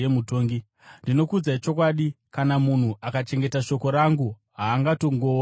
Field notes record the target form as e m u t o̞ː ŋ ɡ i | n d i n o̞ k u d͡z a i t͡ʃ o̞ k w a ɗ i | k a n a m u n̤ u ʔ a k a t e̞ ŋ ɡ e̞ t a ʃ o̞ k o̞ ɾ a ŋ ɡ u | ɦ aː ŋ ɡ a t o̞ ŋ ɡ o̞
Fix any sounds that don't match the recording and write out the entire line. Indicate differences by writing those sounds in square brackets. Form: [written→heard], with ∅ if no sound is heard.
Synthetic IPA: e m u t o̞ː ŋ ɡ i | n d i n o̞ k u d͡z a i t͡ʃ o̞ k w a ɗ i | k a n a m u n̤ u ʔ a k a [t→t͡ʃ] e̞ ŋ ɡ e̞ t a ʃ o̞ k o̞ ɾ a ŋ ɡ u | ɦ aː ŋ ɡ a t o̞ ŋ ɡ o̞